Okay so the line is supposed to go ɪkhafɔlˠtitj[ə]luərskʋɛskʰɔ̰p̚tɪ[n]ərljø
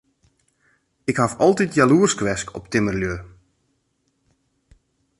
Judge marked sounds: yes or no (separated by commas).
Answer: no, no